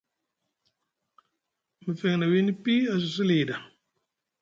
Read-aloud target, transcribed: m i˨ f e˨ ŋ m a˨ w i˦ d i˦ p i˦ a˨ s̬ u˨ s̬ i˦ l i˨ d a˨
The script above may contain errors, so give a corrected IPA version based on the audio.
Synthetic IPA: m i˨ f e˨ ŋ n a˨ w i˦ n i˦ p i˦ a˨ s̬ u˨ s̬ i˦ l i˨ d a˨